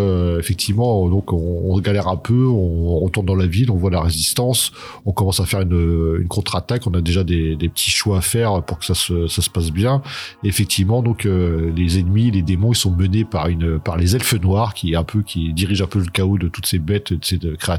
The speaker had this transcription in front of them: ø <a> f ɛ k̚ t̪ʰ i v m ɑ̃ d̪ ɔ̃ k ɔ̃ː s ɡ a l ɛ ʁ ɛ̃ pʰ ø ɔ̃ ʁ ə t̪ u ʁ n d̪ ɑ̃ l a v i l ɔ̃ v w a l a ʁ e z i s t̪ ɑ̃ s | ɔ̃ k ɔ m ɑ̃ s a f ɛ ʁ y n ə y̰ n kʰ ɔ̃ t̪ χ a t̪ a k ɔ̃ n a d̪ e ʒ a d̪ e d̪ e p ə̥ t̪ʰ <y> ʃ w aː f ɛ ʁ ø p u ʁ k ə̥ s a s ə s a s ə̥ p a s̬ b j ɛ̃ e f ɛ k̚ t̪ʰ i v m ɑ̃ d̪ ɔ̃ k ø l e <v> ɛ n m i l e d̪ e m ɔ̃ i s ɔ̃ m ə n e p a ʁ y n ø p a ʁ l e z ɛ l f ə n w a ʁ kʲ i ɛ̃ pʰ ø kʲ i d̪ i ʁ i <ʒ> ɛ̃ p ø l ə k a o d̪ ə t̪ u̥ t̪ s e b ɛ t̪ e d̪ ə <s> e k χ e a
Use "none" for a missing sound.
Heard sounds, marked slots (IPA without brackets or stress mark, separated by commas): e, i, z, ʒ, s